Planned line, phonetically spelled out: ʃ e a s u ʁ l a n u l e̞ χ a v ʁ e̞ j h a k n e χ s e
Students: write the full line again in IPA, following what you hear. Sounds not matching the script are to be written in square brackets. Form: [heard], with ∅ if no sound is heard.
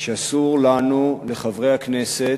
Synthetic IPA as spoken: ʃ e a s u ʁ l a n u l e̞ χ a v ʁ e̞ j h a k n e [∅] s e